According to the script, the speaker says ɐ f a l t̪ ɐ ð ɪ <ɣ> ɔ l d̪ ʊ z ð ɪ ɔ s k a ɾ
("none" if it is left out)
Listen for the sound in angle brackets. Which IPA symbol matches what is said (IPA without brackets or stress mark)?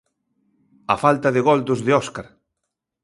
ɣ